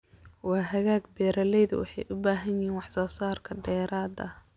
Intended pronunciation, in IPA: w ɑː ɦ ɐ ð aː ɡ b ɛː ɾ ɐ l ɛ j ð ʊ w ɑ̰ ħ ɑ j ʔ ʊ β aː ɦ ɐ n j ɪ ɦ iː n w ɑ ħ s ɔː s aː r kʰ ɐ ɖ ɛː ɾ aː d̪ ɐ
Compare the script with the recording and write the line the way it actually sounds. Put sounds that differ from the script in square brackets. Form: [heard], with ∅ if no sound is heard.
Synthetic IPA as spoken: w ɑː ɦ ɐ [ɣ] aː ɡ b ɛː ɾ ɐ l ɛ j ð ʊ w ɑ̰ ħ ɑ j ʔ ʊ [b] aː ɦ ɐ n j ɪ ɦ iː n w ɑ ħ s ɔː s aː r kʰ ɐ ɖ ɛː ɾ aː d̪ ɐ